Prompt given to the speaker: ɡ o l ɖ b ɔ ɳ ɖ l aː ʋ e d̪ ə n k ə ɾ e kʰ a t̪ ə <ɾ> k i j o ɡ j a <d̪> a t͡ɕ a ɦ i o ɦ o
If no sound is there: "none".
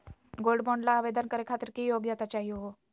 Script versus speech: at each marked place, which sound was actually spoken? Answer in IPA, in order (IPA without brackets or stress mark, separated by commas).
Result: ɾ, t̪